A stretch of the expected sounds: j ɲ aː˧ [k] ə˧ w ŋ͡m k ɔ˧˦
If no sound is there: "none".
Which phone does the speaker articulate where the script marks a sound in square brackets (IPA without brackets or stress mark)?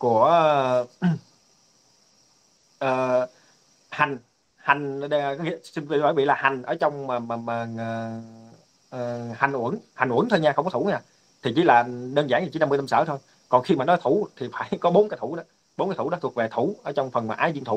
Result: x